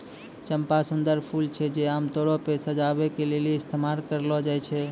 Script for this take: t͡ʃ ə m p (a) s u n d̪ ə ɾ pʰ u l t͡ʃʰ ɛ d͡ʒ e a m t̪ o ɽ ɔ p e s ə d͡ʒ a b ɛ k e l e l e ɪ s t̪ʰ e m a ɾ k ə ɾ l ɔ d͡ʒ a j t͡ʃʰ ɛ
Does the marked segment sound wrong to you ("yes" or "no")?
no